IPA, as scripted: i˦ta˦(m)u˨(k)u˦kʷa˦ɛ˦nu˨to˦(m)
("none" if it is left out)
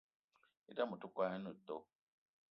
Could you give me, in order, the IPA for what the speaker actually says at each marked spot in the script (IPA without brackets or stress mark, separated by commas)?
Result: m, t, none